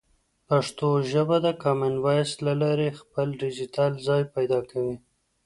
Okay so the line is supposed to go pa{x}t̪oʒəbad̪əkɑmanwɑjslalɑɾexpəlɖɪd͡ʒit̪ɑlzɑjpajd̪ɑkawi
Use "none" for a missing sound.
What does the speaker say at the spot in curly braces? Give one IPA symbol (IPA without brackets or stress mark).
ʂ